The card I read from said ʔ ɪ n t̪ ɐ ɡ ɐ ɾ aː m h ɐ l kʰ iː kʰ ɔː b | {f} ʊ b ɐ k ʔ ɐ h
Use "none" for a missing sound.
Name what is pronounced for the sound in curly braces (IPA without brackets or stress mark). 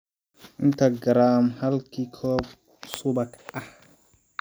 s